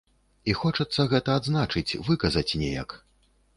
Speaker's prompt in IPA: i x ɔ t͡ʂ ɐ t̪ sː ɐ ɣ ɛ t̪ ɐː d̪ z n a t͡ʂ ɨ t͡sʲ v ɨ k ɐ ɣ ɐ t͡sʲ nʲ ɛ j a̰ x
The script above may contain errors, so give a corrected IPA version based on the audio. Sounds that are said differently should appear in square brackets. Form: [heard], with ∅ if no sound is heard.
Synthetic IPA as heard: i x ɔ t͡ʂ ɐ t̪ sː ɐ ɣ ɛ t̪ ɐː d̪ z n a t͡ʂ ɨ t͡sʲ v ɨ k ɐ [z] ɐ t͡sʲ nʲ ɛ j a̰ [k]